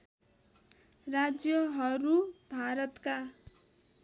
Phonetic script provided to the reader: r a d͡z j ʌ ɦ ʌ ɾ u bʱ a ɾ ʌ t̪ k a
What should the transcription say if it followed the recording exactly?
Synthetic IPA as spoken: r a d͡z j ʌ ɦ ʌ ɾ u bʱ a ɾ ʌ t̪ k a